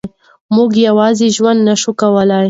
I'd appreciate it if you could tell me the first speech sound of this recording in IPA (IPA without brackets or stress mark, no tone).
m